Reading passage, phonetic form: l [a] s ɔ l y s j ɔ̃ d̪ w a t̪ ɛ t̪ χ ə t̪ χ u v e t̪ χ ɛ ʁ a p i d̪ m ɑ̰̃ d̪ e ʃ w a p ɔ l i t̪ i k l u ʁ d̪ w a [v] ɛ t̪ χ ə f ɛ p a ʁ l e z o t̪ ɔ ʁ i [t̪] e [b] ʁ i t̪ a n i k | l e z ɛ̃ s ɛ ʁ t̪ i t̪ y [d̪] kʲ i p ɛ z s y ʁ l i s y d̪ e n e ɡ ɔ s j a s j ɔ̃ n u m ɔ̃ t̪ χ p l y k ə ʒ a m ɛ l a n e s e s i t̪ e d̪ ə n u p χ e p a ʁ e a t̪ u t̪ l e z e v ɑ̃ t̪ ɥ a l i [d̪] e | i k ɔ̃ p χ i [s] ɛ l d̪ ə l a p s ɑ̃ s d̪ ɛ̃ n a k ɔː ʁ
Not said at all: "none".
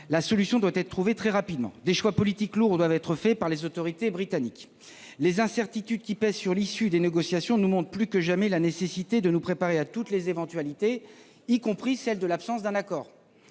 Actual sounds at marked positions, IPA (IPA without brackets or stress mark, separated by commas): a, v, t̪, b, d̪, t̪, s